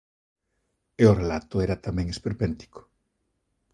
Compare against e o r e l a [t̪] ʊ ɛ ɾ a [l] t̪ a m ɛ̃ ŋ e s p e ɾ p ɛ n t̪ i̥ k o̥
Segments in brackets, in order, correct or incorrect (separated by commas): correct, incorrect